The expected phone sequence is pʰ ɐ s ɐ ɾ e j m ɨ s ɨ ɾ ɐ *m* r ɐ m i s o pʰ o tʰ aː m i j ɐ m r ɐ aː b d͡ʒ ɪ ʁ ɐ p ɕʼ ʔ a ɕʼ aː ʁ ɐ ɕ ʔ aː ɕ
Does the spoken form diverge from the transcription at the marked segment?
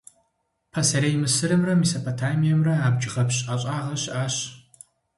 no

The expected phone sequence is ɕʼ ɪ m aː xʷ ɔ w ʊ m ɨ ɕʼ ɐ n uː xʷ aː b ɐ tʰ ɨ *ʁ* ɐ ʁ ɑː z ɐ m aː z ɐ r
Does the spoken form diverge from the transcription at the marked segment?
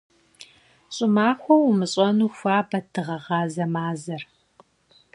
no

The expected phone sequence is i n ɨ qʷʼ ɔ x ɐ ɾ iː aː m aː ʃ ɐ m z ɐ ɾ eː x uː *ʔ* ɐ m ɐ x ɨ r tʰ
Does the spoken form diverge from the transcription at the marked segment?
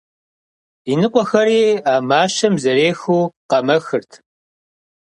yes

